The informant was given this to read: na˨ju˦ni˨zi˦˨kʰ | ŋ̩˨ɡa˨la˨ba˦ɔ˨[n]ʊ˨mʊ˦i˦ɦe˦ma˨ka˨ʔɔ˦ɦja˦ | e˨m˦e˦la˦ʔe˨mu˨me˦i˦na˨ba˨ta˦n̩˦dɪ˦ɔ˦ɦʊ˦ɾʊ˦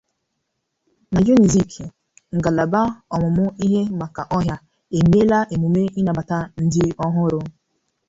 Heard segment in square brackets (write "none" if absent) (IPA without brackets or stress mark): m